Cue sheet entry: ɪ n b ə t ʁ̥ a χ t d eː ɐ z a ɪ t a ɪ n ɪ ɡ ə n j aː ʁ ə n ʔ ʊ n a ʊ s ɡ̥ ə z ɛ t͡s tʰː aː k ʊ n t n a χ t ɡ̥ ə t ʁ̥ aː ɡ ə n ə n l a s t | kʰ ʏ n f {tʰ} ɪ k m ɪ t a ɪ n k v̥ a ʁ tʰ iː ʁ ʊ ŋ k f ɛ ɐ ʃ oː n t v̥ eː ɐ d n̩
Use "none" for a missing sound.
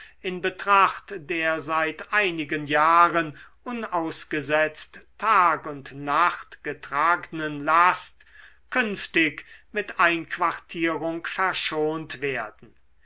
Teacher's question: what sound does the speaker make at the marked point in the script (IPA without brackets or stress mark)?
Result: t